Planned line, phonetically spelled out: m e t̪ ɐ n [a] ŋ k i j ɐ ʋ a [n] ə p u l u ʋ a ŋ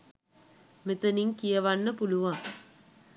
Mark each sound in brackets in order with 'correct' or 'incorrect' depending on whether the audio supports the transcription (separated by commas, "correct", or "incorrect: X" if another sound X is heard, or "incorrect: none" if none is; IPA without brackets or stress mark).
incorrect: i, incorrect: nː